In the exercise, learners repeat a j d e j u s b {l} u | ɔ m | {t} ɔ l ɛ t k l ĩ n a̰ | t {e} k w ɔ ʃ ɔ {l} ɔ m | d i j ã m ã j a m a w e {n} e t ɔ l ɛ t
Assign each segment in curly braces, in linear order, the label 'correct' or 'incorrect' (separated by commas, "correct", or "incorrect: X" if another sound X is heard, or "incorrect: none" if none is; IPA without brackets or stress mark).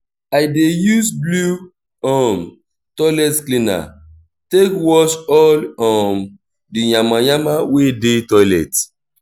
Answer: correct, correct, correct, correct, incorrect: d